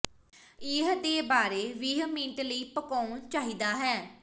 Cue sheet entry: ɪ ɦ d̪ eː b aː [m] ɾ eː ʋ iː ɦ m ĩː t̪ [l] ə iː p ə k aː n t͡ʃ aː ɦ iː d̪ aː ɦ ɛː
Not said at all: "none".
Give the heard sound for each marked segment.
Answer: none, l

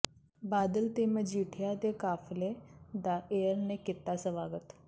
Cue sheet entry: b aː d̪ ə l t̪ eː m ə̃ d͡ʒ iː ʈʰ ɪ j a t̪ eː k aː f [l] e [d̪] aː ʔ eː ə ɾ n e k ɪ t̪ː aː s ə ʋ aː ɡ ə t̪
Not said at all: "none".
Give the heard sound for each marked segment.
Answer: l, d̪

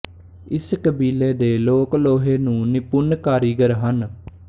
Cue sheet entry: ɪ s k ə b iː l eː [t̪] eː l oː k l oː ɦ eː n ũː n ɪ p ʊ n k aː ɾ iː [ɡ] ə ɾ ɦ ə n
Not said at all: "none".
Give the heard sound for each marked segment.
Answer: d̪, ɡ

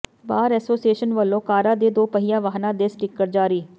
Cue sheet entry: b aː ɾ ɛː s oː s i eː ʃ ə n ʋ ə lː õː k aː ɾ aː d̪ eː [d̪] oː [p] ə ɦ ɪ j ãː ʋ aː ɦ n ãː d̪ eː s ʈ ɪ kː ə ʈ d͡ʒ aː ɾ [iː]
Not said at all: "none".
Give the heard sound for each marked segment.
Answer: d̪, p, iː

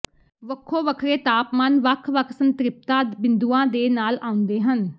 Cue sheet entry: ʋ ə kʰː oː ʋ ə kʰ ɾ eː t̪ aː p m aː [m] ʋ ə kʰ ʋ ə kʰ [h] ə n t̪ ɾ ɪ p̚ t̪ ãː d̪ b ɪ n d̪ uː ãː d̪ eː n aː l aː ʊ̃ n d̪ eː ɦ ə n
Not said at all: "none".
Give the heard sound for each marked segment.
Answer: n, s

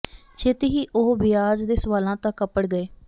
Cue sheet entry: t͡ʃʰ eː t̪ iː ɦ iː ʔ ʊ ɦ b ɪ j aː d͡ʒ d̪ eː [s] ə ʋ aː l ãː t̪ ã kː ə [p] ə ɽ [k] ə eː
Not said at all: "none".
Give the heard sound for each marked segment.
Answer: s, p, ɡ

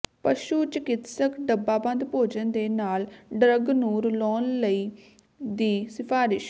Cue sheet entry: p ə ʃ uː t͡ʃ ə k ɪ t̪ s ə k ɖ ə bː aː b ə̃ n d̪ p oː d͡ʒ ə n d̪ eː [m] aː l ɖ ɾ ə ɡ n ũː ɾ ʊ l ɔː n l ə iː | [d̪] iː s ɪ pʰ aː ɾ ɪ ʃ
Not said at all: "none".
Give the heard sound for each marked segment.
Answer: n, d̪

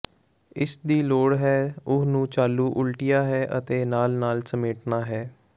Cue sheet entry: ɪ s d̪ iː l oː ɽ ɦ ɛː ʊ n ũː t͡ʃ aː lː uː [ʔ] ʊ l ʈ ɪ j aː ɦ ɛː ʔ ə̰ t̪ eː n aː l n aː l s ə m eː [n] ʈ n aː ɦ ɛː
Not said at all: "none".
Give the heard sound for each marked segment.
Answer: ʔ, none

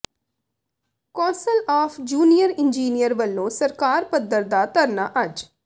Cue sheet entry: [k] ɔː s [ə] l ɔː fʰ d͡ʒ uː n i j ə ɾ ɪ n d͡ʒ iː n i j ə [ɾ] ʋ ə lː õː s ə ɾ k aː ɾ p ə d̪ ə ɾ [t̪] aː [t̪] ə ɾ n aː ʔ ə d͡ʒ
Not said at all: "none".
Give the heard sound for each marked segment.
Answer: k, ə, ɾ, d̪, t̪

